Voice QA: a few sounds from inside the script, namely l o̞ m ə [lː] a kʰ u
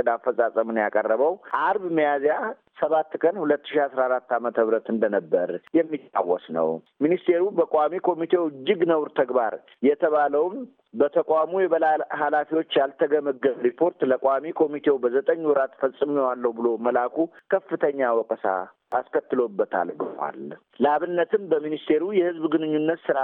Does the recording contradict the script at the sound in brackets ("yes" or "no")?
yes